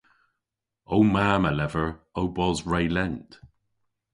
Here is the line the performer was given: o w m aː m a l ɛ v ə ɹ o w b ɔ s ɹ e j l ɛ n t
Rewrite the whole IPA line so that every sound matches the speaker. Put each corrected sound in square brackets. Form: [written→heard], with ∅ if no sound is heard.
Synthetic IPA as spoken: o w m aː m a l ɛ v ə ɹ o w b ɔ [s→z] ɹ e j l ɛ n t